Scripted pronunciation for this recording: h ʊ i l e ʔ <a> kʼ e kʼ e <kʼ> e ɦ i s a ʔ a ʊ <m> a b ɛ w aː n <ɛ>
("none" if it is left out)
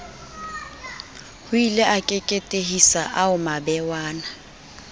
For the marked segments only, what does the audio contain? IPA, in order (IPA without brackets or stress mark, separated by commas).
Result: a, tʼ, m, a